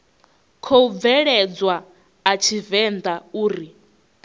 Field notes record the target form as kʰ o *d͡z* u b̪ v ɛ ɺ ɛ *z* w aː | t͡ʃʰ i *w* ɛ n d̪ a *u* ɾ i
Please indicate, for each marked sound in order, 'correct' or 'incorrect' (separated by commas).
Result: incorrect, incorrect, incorrect, incorrect